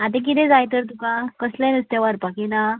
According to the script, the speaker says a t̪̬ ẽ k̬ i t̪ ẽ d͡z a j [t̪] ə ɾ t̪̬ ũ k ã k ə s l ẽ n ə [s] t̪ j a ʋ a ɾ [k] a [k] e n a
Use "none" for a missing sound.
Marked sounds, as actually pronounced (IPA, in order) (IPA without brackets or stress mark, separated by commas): t̪, s, p, k